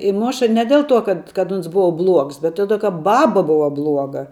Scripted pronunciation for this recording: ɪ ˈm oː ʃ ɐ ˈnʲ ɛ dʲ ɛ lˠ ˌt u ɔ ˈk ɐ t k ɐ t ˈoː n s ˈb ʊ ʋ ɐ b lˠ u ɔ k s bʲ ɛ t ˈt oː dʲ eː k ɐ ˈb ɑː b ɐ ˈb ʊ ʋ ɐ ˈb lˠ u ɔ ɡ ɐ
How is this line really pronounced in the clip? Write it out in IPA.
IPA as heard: ɪ ˈm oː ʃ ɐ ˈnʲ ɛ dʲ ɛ lˠ ˌt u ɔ ˈk ɐ t k ɐ t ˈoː n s ˈb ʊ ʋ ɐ b lˠ u ɔ k s bʲ ɛ t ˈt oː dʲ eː k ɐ ˈb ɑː b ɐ ˈb ʊ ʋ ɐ ˈb lˠ u ɔ ɡ ɐ